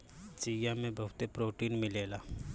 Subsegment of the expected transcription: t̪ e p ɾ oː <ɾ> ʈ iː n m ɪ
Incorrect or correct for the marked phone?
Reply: incorrect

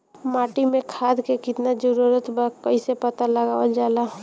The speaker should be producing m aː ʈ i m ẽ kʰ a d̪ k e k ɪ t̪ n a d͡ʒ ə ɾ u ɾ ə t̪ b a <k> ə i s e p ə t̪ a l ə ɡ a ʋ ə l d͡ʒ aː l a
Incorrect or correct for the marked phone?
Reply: correct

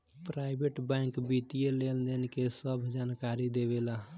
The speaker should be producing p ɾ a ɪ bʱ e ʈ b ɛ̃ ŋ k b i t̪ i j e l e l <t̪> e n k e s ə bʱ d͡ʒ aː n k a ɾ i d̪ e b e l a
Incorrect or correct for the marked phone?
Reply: incorrect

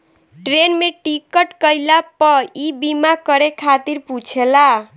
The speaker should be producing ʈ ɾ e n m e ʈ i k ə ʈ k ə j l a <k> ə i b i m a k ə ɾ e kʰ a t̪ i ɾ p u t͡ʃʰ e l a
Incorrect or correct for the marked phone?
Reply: incorrect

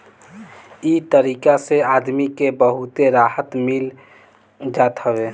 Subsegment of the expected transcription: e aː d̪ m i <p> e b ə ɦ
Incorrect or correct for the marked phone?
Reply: incorrect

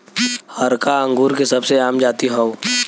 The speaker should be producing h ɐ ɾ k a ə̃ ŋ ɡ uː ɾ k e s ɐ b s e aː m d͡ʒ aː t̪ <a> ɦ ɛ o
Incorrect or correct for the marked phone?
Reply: incorrect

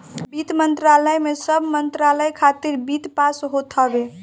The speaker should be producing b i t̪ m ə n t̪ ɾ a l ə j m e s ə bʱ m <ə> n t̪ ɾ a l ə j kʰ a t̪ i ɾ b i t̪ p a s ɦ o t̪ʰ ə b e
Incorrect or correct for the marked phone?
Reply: correct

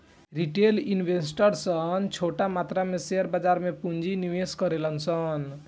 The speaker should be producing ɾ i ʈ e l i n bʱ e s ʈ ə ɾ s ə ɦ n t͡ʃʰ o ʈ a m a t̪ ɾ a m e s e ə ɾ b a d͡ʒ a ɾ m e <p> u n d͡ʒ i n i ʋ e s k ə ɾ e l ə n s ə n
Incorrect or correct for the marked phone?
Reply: correct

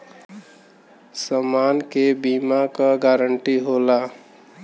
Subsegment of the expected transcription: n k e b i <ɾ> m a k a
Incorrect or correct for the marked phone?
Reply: incorrect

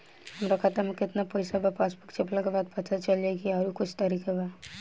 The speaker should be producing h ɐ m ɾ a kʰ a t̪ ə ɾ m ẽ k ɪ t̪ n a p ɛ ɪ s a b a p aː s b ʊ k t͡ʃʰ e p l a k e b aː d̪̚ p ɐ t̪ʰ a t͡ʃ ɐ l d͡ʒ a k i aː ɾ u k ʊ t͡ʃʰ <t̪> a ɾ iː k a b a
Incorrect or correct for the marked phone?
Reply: correct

